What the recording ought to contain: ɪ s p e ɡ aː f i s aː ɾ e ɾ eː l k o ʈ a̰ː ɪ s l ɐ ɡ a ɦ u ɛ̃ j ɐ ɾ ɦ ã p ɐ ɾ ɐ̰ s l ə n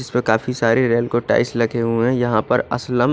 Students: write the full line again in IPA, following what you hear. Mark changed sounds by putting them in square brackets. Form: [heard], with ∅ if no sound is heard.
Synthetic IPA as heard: ɪ s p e [k] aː f i s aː ɾ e ɾ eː l k o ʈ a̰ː ɪ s l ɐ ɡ [e] ɦ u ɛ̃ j ɐ [∅] ɦ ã p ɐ ɾ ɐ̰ s l ə [m]